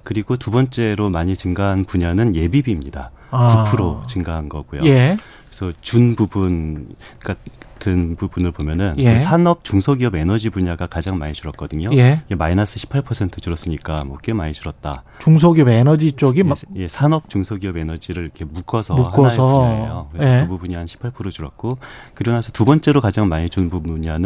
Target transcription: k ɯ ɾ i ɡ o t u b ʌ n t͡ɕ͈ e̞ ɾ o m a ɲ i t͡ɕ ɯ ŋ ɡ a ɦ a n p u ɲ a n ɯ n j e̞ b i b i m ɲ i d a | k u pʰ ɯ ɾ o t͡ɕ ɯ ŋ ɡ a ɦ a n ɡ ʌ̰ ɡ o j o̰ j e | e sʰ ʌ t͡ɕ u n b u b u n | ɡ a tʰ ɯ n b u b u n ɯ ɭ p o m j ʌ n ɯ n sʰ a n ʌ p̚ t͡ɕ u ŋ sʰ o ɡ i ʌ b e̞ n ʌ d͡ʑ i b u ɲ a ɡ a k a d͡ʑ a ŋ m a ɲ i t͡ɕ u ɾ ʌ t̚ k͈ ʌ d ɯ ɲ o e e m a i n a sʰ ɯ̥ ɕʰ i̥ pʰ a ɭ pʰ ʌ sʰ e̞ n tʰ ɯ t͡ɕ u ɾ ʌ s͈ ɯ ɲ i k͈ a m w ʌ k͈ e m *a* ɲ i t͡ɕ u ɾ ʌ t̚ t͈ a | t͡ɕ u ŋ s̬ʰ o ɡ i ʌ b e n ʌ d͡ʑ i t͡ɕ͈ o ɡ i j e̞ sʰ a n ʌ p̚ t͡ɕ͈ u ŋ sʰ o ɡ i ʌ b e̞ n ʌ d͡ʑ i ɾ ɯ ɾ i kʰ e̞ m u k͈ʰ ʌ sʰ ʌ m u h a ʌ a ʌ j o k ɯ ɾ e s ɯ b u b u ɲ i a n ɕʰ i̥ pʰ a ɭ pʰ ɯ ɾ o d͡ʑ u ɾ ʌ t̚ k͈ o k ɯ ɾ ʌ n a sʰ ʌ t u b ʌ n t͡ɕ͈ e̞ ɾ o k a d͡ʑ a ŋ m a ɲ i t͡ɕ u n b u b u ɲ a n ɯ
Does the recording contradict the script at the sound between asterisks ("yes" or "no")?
no